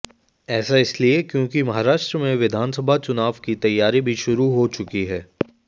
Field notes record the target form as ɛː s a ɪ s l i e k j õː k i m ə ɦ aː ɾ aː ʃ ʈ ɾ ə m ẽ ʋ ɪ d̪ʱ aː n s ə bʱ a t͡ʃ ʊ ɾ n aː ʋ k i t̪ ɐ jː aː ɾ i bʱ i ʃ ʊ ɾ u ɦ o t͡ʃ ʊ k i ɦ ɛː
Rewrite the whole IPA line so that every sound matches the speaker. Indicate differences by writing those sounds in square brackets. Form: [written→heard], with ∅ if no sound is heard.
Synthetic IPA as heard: ɛː s a ɪ s l i e k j õː k i m [ə→ɐ] ɦ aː ɾ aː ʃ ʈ ɾ ə m ẽ ʋ ɪ d̪ʱ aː n s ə bʱ a t͡ʃ ʊ [ɾ→∅] n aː ʋ k i t̪ ɐ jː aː ɾ i bʱ i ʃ ʊ ɾ u ɦ o t͡ʃ ʊ k i ɦ ɛː